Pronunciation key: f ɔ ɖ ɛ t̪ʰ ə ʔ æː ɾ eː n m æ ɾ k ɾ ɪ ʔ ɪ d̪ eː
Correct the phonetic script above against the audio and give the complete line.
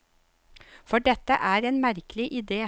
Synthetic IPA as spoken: f ɔ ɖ ɛ t̪ ə ʔ æː ɾ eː n m æ ɾ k l ɪ ʔ ɪ d̪ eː